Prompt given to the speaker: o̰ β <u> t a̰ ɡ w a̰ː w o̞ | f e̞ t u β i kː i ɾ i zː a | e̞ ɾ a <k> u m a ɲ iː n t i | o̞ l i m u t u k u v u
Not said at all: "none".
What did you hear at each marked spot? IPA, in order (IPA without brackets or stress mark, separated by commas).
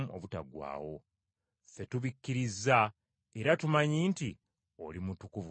u, t